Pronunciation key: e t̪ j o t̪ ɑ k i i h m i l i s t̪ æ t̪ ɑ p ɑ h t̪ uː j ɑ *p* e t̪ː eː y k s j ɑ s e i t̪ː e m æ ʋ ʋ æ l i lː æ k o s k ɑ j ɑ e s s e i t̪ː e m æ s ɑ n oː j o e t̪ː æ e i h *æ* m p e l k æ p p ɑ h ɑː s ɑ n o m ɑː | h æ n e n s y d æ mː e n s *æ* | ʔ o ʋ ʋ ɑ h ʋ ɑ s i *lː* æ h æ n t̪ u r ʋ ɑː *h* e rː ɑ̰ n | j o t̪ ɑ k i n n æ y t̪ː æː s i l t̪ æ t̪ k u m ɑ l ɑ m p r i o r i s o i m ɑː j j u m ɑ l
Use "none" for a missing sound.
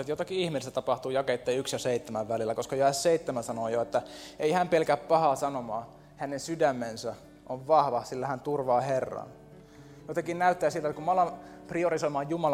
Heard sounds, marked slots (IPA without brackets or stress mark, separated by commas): k, æ, æ, lː, h